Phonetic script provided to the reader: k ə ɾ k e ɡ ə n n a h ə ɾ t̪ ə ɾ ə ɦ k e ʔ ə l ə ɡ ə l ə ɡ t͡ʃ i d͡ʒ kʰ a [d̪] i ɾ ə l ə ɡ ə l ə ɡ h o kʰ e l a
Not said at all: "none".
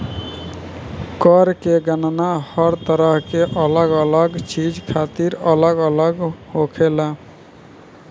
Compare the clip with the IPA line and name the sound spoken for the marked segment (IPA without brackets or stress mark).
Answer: t̪